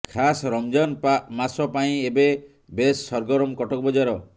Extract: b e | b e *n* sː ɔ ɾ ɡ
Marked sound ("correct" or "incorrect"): incorrect